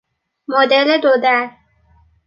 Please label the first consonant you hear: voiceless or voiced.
voiced